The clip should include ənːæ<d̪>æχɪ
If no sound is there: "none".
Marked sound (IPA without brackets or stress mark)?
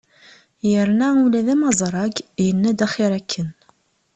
d̪